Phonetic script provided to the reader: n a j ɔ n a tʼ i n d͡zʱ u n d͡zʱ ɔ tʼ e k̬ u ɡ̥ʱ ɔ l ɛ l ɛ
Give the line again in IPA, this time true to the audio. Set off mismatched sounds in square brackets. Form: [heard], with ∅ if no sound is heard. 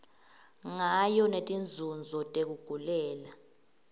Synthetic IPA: [ŋ] a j ɔ n [e] tʼ i n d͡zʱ u n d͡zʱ ɔ tʼ e k̬ u ɡ̥ʱ [u] l [ɛː] l [a]